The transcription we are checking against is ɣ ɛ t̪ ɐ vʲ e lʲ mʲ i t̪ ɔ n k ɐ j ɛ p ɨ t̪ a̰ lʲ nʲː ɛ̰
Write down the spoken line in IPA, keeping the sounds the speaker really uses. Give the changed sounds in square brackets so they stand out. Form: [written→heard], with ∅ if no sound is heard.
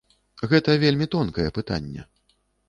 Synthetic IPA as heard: ɣ ɛ t̪ ɐ vʲ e lʲ mʲ i t̪ ɔ n k ɐ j ɛ p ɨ t̪ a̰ [lʲ→∅] nʲː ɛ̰